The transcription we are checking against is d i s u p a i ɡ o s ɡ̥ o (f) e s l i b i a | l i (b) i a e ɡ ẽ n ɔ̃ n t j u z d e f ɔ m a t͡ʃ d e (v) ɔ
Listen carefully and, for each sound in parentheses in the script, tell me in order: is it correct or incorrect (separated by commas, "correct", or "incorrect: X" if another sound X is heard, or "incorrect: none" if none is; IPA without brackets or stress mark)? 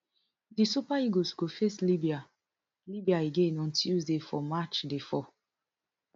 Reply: correct, correct, incorrect: f